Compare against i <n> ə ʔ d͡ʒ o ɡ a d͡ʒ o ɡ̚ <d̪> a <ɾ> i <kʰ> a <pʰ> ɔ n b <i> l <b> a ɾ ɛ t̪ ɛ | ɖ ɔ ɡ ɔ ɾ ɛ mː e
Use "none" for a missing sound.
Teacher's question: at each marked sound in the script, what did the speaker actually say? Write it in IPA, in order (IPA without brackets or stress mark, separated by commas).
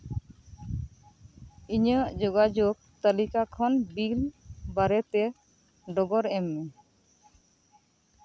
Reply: ɲ, t̪, l, k, kʰ, i, b